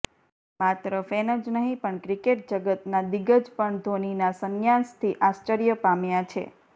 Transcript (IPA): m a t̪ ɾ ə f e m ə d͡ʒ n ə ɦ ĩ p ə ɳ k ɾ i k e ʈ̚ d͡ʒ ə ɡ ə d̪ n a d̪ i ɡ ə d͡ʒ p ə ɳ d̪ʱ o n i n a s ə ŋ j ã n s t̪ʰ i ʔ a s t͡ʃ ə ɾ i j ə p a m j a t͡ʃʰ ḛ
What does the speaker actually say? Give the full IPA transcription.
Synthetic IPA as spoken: m a t̪ ɾ ə f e n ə d͡ʒ n ə ɦ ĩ p ə ɳ k ɾ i k e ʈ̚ d͡ʒ ə ɡ ə t̪ n a d̪ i ɡ ə d͡ʒ p ə ɳ d̪ʱ o n i n a s ə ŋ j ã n s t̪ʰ i ʔ a s t͡ʃ ə ɾ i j ə p a m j a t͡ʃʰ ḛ